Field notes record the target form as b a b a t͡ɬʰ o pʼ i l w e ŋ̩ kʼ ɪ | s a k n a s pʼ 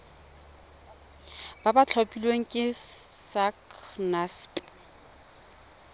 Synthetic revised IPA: b a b a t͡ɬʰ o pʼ i l w e ŋ̩ kʼ ɪ | s a k n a s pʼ